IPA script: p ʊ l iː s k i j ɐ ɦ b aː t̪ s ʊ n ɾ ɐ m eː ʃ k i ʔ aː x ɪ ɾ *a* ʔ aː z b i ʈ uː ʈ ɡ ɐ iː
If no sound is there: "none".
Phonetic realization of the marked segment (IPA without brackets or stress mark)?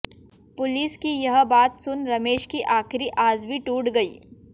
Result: i